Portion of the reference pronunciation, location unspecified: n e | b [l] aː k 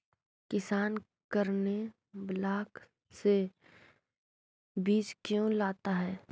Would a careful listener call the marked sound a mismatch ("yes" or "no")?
no